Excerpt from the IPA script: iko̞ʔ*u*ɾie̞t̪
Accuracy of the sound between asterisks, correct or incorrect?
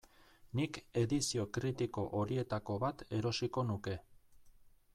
incorrect